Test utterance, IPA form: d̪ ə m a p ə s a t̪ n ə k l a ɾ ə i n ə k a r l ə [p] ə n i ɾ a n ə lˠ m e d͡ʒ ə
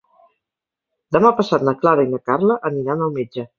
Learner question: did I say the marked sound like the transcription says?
no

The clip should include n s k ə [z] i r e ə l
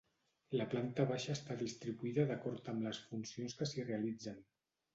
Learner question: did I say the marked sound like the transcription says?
no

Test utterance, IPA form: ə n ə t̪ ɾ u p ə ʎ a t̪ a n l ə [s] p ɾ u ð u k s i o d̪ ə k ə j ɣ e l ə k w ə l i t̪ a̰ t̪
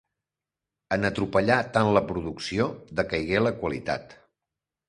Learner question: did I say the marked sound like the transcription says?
no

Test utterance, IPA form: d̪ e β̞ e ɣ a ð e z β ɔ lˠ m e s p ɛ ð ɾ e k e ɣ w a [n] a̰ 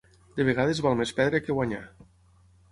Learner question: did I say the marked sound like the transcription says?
no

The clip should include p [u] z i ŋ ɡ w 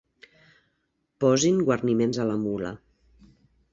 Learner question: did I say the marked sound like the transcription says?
no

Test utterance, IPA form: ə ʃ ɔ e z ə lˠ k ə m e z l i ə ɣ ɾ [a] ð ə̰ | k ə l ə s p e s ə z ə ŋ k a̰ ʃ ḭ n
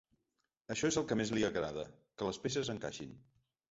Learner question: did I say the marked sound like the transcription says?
yes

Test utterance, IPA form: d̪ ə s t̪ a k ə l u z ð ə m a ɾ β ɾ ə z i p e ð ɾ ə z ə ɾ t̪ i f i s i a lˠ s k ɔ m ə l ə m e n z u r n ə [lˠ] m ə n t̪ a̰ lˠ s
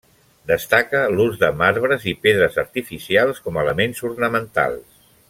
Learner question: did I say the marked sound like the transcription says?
no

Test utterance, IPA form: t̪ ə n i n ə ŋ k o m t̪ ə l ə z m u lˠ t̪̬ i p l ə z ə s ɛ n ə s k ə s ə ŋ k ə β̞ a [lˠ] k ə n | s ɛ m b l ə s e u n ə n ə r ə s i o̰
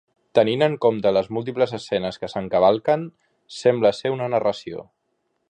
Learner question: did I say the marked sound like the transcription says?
yes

